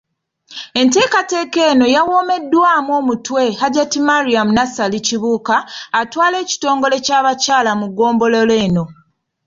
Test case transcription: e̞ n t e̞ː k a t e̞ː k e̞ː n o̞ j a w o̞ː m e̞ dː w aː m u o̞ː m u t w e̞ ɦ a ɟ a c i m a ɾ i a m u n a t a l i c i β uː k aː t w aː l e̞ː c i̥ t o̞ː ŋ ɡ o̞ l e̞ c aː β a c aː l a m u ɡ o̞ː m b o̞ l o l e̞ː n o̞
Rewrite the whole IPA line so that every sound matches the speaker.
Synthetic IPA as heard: e̞ n t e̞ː k a t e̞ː k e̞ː n o̞ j a w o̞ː m e̞ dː w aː m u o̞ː m u t w e̞ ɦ a ɟ a t i m a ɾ i a m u n a s a l i c i β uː k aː t w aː l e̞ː c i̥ t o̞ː ŋ ɡ o̞ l e̞ c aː β a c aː l a m u ɡ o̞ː m b o̞ l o l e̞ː n o̞